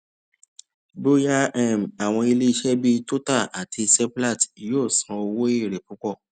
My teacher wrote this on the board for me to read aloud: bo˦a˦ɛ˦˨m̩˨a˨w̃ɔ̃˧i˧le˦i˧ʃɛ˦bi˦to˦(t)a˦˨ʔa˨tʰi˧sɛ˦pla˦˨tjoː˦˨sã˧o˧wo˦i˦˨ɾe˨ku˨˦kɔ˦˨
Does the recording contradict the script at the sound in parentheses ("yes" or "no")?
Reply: no